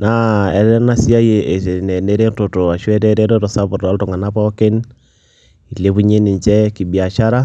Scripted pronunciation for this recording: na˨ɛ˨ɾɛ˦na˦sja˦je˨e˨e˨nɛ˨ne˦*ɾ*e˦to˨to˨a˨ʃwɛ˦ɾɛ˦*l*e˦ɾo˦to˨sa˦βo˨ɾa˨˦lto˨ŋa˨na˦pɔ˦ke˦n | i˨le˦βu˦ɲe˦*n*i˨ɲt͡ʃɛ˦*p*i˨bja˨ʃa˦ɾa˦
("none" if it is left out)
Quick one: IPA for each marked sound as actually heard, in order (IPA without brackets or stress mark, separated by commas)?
ɾ, ɾ, n, k